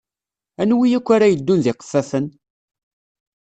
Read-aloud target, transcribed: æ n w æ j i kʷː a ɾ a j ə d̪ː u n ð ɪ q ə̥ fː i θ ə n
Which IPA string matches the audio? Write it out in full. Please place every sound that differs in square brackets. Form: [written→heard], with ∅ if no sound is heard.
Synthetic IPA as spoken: æ n w [æ→i] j [i→æ] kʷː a ɾ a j ə d̪ː u n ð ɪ q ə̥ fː [i→æ] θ ə n